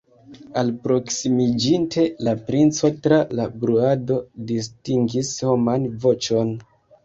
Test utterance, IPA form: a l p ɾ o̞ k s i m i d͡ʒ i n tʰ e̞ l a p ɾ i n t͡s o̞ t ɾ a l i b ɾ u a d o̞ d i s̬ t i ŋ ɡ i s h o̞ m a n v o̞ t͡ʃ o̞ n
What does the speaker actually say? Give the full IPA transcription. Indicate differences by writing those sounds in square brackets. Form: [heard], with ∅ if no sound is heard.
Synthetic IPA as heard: a l p ɾ o̞ k s i m i d͡ʒ i n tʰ e̞ l a p ɾ i n t͡s o̞ t ɾ a l [a] b ɾ u a d o̞ d i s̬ t i ŋ ɡ i s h o̞ m a n v o̞ t͡ʃ o̞ n